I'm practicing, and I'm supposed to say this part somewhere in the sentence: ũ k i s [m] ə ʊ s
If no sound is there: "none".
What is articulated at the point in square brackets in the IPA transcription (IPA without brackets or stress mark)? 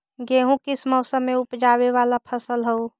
m